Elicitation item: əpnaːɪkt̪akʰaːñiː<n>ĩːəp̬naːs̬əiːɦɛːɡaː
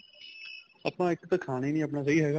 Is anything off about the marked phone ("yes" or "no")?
no